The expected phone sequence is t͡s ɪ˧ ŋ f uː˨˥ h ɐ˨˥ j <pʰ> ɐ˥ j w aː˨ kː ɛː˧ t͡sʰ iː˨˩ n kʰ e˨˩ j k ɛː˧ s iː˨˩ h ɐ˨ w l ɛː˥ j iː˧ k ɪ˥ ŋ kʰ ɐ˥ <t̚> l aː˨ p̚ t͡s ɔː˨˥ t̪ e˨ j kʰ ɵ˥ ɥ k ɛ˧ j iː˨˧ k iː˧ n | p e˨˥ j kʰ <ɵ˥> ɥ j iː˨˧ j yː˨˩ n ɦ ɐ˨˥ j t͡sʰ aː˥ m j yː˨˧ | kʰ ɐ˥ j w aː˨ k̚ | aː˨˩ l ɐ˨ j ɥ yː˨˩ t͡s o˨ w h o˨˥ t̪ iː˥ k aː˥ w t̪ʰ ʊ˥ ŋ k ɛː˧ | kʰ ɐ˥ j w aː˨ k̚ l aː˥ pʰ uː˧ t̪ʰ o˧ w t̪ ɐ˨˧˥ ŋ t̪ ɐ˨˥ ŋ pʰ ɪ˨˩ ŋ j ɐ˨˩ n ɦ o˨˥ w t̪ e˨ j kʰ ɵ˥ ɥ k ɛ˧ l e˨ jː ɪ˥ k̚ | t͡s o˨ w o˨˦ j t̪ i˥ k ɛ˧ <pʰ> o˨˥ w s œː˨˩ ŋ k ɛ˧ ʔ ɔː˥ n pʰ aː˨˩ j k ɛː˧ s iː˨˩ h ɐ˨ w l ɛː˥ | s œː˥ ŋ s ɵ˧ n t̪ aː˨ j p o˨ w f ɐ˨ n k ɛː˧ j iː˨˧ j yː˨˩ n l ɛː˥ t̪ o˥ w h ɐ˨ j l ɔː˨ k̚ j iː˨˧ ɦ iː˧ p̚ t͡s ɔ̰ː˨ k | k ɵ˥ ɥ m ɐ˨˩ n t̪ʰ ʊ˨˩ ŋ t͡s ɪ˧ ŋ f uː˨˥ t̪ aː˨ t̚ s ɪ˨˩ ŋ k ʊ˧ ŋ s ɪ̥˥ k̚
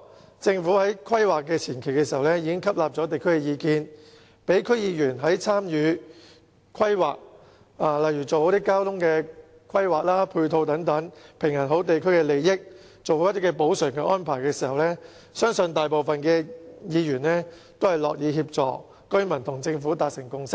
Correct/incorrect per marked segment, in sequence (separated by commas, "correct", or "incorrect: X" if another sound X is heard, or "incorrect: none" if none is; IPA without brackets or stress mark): incorrect: kʰ, incorrect: p̚, correct, incorrect: p